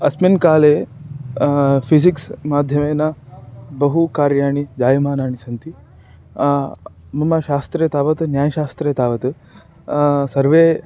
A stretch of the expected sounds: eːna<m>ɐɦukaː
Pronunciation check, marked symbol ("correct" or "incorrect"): incorrect